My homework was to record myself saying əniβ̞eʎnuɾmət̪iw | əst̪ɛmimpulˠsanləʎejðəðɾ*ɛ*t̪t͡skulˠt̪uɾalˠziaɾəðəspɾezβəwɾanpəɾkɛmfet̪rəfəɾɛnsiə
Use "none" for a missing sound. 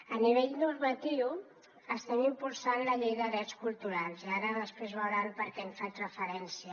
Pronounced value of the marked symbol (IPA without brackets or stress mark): ɛ